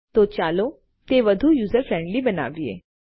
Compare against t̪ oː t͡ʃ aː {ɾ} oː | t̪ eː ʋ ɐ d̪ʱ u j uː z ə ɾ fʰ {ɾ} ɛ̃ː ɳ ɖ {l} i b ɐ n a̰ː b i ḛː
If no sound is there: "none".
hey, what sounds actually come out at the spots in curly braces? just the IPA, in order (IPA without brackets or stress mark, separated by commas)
l, ɾ, l